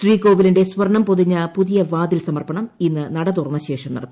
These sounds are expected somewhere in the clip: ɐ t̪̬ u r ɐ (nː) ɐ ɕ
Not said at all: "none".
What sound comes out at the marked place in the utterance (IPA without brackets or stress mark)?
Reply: nː